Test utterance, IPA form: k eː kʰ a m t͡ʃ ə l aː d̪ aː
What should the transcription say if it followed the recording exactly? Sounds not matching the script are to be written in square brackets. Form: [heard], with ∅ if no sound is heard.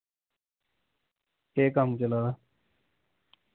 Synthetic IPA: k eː [k] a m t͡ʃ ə l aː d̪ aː